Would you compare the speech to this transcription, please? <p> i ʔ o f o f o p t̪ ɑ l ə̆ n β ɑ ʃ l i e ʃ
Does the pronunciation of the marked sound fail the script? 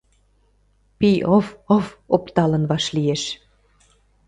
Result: no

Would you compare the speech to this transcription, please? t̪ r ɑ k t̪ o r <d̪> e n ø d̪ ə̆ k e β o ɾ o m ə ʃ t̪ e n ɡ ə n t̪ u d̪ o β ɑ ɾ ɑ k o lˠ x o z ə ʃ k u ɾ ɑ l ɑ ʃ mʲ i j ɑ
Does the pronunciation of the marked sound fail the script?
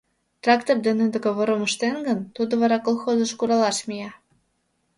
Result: no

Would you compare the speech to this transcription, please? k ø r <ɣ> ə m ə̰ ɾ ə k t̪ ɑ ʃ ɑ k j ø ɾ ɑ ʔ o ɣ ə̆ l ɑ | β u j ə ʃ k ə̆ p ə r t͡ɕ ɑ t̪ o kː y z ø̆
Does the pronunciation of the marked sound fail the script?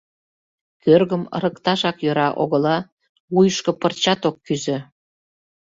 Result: no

